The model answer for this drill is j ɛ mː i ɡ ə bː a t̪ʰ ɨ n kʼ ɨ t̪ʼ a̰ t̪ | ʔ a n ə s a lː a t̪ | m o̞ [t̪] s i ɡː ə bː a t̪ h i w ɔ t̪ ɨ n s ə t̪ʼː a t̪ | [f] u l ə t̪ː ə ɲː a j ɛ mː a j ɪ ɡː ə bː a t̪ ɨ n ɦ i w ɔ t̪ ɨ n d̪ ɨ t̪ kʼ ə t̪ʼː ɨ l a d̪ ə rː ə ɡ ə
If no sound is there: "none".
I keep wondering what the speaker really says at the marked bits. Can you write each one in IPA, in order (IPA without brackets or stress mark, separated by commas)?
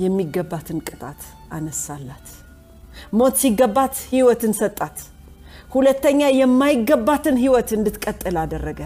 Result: t̪, h